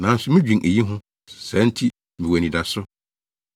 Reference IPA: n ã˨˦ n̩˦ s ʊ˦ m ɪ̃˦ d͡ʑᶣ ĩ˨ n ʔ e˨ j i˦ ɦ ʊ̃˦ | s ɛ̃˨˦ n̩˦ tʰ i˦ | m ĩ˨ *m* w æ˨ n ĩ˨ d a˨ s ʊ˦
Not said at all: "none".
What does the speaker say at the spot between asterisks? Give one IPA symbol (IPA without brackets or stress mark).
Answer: none